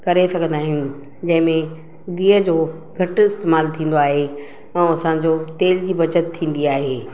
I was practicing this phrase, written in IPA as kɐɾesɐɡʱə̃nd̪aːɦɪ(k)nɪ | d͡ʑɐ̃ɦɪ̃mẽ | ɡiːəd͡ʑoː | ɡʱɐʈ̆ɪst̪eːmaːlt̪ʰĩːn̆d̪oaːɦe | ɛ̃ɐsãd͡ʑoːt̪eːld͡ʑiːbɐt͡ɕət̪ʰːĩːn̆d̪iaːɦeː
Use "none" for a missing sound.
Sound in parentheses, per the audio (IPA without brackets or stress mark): none